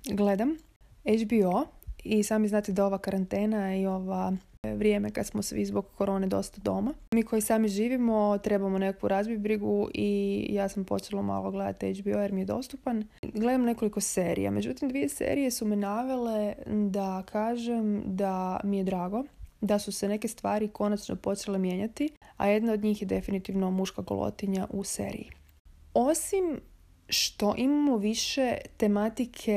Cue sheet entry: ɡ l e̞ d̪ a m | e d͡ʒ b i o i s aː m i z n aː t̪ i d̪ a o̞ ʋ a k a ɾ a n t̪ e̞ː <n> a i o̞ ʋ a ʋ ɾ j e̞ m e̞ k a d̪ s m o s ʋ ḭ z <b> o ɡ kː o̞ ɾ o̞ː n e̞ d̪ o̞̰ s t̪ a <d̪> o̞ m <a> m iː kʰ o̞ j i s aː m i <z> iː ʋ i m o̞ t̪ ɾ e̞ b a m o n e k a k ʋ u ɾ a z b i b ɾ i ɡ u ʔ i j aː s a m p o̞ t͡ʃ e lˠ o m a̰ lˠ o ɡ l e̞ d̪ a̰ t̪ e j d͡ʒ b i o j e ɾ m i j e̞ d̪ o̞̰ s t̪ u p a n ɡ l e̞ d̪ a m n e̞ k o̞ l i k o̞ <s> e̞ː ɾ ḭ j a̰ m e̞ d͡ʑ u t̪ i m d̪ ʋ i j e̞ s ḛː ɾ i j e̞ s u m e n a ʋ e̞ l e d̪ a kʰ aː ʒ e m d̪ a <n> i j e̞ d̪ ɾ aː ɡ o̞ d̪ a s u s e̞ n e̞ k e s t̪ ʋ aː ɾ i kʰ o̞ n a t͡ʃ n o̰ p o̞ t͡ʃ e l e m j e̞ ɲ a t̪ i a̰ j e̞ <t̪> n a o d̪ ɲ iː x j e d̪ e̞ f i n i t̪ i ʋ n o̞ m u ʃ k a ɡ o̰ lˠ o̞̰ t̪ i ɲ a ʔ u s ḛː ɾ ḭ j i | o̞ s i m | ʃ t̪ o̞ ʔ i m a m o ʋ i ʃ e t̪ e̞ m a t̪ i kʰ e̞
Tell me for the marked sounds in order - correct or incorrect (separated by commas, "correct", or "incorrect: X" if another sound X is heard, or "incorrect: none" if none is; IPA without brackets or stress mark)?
correct, correct, correct, correct, incorrect: ʒ, correct, incorrect: m, incorrect: d̪